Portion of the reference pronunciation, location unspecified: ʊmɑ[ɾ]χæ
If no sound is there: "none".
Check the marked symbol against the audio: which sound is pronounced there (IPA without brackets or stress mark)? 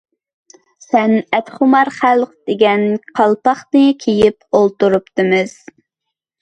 ɾ